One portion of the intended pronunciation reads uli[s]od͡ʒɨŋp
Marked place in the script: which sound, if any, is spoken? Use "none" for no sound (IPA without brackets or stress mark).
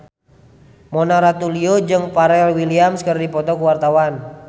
none